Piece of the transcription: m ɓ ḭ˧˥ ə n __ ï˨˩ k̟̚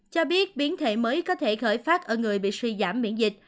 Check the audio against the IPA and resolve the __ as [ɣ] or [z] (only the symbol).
z